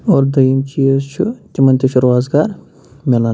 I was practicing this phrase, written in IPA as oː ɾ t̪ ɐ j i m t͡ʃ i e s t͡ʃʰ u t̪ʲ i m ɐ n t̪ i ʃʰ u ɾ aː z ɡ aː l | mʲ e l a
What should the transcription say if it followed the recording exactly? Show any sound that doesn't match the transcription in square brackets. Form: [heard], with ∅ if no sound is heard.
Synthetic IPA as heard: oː ɾ [d̪] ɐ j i m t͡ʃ i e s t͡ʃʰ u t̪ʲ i m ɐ n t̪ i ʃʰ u ɾ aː z ɡ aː [ɾ] | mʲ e l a